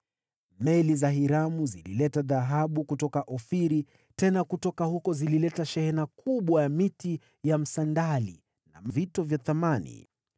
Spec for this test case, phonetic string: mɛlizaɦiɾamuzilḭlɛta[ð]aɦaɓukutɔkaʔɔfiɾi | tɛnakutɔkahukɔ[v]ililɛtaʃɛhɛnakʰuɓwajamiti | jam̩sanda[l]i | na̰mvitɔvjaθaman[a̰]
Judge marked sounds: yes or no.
yes, no, yes, no

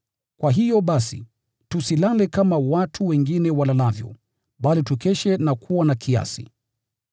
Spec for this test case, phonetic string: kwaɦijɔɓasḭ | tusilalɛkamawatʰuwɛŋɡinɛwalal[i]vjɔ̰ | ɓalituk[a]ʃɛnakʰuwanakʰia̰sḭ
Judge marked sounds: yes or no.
no, no

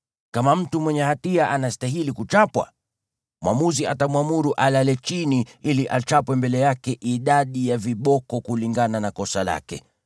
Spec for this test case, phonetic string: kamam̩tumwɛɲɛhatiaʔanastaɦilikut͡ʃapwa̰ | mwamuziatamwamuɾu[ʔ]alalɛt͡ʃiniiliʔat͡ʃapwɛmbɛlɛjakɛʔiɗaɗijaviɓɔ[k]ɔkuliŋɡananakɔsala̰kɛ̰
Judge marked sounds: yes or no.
yes, yes

